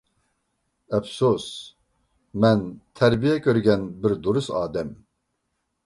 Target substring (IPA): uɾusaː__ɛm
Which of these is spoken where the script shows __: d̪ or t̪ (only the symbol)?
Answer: d̪